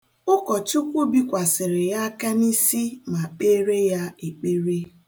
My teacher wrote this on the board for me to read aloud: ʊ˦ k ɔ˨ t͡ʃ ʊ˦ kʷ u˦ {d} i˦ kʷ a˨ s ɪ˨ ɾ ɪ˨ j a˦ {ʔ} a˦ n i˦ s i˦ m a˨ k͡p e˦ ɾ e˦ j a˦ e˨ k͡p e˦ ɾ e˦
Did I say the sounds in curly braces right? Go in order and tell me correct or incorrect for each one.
incorrect, incorrect

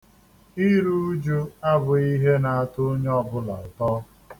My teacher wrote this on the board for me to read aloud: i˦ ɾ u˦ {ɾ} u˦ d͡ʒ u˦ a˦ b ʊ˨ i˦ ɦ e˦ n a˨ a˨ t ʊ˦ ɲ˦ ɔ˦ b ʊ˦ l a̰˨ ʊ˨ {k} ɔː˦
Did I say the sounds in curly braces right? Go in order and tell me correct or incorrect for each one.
incorrect, incorrect

